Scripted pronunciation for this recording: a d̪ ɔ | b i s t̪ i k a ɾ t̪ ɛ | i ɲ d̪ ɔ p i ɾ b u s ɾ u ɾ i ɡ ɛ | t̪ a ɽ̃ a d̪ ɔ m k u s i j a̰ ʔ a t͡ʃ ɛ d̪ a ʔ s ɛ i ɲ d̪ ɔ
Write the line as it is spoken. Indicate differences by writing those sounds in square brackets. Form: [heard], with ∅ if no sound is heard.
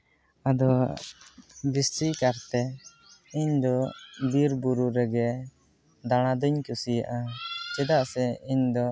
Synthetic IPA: a d̪ ɔ | b i s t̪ i k a ɾ t̪ ɛ | i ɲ d̪ ɔ [b] i ɾ b u [∅] ɾ u ɾ [ɛ] ɡ ɛ | [d̪] a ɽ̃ a d̪ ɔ [ɲ] k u s i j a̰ ʔ a t͡ʃ ɛ d̪ a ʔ s ɛ i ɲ d̪ ɔ